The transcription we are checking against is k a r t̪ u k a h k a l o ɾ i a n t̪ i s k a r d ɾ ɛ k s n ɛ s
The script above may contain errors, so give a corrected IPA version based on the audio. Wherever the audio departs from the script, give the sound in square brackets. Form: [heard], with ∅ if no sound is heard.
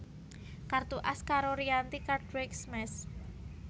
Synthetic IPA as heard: k a r t̪ u [ʔ] a [s] k a [ɾ] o ɾ i a n t̪ i [∅] k a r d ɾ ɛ k s [m] ɛ s